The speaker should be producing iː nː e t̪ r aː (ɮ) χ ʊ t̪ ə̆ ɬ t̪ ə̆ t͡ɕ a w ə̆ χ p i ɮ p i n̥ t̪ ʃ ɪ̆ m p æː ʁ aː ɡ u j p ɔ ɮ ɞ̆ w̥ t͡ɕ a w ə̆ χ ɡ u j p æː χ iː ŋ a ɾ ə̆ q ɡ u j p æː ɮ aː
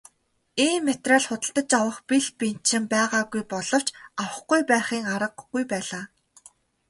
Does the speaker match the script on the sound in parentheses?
yes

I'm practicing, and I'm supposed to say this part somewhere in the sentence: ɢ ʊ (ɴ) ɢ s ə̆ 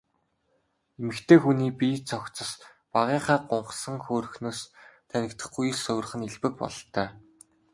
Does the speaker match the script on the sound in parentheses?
yes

